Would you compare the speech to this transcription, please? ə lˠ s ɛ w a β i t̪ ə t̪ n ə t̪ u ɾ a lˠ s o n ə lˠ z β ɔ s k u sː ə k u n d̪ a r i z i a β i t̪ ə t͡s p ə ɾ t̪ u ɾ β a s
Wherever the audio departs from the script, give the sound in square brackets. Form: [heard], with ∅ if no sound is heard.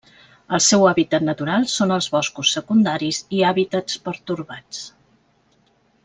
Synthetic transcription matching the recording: ə lˠ s ɛ w a β i t̪ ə t̪ n ə t̪ u ɾ a lˠ s o n ə lˠ z β ɔ s k u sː ə k u n d̪ a [ɾ] i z i a β i t̪ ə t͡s p ə ɾ t̪ u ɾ β a [t͡s]